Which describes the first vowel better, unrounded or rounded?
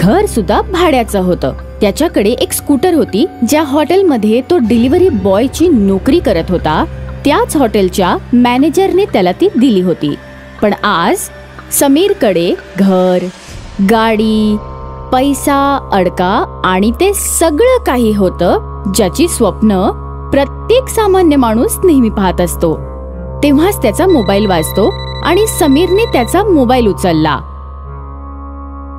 unrounded